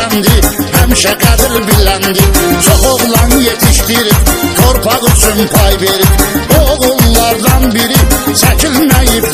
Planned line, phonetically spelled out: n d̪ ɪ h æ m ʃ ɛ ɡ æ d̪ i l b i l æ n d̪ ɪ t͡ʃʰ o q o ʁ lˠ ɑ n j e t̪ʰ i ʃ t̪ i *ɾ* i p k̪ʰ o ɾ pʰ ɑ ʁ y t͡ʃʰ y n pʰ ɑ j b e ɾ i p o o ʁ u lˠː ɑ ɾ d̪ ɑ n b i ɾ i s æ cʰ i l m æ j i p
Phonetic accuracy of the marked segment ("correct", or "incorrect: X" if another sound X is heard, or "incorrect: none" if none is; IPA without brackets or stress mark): correct